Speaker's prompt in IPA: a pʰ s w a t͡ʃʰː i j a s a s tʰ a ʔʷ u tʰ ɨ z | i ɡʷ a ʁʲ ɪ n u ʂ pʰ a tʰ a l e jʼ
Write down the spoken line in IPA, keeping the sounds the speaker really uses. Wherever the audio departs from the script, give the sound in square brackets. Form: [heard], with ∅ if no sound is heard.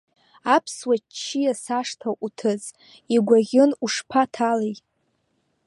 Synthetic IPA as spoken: a pʰ s w a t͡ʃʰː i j a s a [ʂ] tʰ a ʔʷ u tʰ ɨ z | i ɡʷ a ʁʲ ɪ n u ʂ pʰ a tʰ a l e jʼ